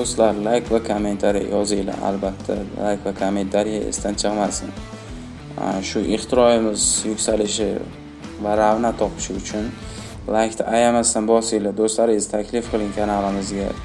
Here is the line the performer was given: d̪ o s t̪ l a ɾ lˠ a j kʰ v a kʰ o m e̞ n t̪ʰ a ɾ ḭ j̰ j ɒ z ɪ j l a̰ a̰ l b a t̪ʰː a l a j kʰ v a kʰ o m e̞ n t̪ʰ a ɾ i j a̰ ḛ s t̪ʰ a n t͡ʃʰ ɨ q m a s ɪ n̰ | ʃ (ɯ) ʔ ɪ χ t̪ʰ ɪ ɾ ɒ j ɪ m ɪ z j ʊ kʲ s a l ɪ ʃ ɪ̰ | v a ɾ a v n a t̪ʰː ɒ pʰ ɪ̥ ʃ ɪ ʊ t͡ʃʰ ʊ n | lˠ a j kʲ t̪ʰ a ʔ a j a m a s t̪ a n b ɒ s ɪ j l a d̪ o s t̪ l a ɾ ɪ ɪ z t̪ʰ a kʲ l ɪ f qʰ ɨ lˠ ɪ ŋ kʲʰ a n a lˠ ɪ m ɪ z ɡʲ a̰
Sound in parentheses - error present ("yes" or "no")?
yes